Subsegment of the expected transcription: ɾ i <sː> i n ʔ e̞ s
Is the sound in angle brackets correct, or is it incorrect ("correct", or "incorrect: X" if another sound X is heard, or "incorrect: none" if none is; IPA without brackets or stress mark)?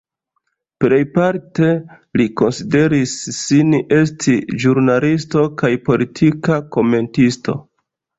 correct